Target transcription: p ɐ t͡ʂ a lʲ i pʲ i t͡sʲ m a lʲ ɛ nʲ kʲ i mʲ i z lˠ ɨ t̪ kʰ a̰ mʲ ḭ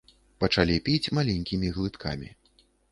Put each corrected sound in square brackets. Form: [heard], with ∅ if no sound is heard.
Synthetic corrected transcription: p ɐ t͡ʂ a lʲ i pʲ i t͡sʲ m a lʲ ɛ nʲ kʲ i mʲ i [ɣ] lˠ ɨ t̪ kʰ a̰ mʲ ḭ